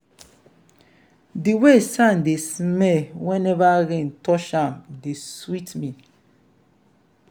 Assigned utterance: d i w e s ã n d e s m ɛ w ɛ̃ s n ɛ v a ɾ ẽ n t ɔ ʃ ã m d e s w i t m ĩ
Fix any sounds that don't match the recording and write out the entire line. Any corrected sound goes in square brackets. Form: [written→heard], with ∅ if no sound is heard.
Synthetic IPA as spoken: d i w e s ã n d e s m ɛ w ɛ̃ [s→∅] n ɛ v a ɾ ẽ n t ɔ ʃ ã m d e s w i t m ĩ